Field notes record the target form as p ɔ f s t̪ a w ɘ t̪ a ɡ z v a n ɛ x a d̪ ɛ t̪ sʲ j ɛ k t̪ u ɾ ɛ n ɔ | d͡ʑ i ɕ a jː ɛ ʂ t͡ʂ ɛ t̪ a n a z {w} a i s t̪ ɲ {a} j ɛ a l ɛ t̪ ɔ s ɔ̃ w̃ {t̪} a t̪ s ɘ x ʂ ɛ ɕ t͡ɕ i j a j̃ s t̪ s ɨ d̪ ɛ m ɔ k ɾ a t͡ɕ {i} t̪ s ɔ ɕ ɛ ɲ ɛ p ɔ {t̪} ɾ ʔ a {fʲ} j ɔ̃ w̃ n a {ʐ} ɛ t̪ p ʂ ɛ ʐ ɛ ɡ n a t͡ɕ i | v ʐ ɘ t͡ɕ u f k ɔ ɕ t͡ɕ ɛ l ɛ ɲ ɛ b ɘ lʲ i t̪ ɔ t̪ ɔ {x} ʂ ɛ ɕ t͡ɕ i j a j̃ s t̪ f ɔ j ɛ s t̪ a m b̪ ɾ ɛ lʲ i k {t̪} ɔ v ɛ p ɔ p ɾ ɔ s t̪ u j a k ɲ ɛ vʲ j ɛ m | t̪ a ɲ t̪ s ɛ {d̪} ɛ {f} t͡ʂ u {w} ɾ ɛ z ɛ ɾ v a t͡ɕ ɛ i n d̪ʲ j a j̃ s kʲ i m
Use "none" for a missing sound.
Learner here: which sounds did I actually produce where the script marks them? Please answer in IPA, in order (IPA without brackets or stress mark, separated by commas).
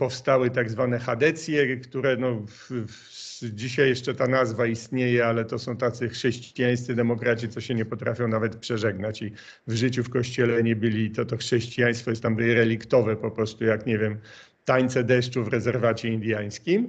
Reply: v, e, t̪, i, t̪, fʲ, v, x, t̪, d̪, ʂ, v